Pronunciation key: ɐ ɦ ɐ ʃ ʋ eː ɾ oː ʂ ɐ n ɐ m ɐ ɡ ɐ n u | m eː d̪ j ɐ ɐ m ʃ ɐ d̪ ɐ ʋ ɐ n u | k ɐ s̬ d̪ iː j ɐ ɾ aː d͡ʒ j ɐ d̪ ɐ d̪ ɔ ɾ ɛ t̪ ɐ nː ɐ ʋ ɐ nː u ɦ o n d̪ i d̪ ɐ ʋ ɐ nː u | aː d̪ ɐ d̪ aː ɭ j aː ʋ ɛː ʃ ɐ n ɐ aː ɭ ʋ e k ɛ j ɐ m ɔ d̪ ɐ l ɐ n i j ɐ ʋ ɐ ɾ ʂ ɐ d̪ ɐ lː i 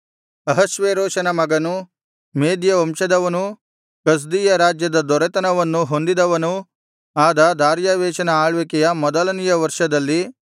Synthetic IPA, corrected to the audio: ɐ ɦ ɐ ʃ ʋ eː ɾ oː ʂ ɐ n ɐ m ɐ ɡ ɐ n u | m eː d̪ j ɐ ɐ m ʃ ɐ d̪ ɐ ʋ ɐ n u | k ɐ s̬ d̪ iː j ɐ ɾ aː d͡ʒ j ɐ d̪ ɐ d̪ ɔ ɾ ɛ t̪ ɐ n ɐ ʋ ɐ nː u ɦ o n d̪ i d̪ ɐ ʋ ɐ n u | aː d̪ ɐ d̪ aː ɾ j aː ʋ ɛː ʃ ɐ n ɐ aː ɭ ʋ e k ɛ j ɐ m ɔ d̪ ɐ l ɐ n i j ɐ ʋ ɐ ɾ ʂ ɐ d̪ ɐ lː i